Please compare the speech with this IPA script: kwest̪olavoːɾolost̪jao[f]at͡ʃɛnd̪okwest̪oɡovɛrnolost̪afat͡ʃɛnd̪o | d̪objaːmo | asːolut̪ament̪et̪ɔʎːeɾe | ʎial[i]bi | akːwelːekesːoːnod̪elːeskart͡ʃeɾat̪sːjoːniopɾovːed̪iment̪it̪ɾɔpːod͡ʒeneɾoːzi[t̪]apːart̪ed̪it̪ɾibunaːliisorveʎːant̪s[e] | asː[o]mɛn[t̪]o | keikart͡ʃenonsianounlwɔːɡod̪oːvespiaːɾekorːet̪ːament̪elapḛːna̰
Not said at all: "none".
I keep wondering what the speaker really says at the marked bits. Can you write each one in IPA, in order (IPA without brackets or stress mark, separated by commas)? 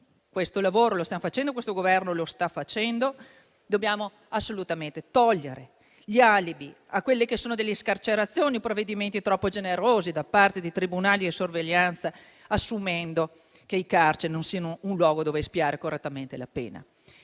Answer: f, i, d̪, a, u, d̪